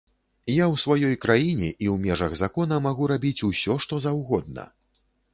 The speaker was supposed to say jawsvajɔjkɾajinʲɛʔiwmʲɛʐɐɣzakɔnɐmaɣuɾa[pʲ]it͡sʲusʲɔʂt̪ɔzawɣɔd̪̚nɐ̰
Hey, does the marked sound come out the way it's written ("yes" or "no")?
no